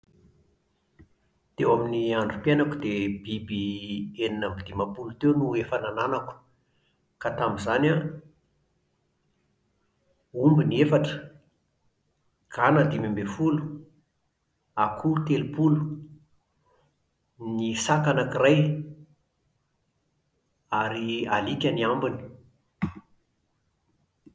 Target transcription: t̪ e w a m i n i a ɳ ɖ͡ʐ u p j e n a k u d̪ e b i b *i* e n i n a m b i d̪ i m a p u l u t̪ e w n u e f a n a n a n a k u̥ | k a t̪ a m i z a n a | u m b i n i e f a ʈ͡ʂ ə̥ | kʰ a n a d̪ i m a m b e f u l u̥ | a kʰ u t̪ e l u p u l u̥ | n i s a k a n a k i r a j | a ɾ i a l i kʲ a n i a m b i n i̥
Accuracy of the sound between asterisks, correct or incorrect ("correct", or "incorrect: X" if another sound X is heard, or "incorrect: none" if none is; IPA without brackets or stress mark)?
correct